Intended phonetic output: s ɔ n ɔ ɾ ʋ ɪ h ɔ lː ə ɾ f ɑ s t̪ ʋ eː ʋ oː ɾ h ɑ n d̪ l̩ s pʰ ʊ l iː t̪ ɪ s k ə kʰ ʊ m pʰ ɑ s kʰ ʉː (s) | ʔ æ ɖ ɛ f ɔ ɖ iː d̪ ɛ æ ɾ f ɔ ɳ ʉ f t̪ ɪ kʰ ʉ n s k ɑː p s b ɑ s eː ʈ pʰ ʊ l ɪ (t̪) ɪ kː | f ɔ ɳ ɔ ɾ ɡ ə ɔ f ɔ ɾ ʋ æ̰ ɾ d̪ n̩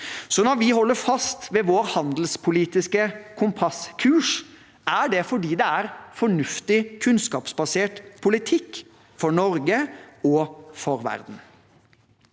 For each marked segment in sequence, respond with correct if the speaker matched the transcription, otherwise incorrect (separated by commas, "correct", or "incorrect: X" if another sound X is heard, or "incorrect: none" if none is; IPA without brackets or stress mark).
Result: incorrect: ʂ, incorrect: t̪ʰ